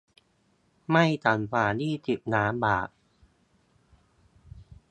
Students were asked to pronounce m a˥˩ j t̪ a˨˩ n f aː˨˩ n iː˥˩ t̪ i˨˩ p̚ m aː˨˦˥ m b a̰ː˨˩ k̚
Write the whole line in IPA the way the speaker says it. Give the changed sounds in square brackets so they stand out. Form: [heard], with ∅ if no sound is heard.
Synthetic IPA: m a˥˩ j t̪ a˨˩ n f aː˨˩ n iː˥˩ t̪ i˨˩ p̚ [n] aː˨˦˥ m b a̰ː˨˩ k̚